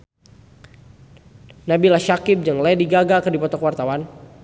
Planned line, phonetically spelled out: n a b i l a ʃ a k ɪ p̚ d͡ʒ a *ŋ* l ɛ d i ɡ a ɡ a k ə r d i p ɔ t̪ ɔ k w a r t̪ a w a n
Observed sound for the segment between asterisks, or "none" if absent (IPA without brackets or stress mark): ŋ